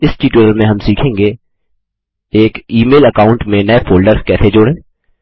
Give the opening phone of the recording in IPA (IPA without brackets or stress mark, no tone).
ɪ